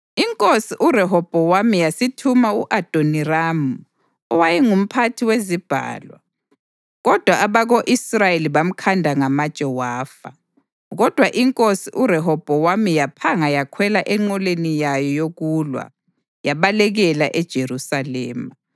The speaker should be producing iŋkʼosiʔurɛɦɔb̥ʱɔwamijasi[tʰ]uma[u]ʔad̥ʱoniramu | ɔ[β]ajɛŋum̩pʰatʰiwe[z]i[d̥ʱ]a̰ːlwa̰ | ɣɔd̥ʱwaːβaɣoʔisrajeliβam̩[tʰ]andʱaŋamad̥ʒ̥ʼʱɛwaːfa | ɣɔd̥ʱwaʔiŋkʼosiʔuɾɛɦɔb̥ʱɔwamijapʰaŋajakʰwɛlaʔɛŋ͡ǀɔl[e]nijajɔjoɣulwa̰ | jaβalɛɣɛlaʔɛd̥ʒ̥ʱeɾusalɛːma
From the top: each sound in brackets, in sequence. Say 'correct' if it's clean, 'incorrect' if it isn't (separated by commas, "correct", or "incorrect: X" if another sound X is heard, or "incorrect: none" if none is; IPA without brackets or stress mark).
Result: correct, correct, incorrect: w, correct, incorrect: b̥ʱ, incorrect: kʰ, correct